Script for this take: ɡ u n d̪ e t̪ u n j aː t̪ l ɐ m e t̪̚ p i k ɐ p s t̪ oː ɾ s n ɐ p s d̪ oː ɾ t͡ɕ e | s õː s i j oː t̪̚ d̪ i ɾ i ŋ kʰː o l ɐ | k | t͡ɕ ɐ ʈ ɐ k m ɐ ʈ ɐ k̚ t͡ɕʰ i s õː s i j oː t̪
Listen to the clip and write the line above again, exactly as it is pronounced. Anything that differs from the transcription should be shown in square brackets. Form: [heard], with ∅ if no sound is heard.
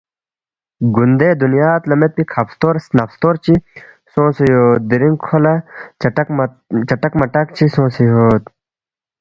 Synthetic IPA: ɡ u n d̪ e [d̪] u n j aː t̪ l ɐ m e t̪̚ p i [kʰ] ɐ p s t̪ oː ɾ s n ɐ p s [t̪] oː ɾ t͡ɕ [i] | s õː s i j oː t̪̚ d̪ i ɾ i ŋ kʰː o l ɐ | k | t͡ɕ ɐ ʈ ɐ k m ɐ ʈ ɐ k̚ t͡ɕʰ i s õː s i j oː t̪